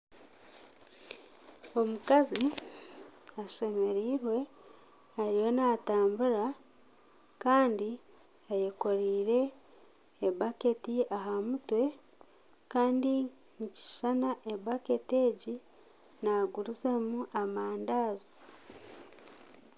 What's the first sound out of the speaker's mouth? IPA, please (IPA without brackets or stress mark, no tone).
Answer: o̞